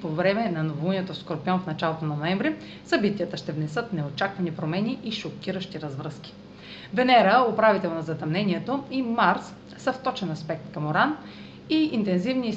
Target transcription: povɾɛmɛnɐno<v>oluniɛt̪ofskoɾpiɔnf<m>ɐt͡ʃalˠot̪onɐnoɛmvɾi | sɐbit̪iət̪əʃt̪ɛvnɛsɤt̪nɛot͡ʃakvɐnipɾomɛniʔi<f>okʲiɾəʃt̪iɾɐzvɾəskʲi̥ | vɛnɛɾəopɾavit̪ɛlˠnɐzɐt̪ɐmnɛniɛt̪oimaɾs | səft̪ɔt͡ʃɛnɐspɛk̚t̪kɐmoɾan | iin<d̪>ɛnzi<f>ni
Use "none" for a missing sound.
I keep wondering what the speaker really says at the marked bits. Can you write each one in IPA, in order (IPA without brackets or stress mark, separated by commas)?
v, n, ʃ, t̪, v